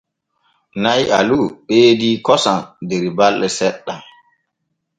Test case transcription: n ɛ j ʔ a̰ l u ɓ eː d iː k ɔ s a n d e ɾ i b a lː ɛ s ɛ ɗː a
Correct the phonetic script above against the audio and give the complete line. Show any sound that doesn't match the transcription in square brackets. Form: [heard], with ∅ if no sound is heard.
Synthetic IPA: n [a] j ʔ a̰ l u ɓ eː d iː k ɔ s a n d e ɾ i b a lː ɛ s ɛ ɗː a